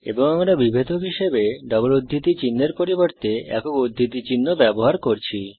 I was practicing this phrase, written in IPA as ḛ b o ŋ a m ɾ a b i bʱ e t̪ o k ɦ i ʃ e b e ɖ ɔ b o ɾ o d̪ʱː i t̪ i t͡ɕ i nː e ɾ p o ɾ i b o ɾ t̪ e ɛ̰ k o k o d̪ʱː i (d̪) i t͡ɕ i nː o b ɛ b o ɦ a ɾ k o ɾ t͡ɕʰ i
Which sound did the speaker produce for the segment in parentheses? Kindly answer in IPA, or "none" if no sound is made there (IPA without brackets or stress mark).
t̪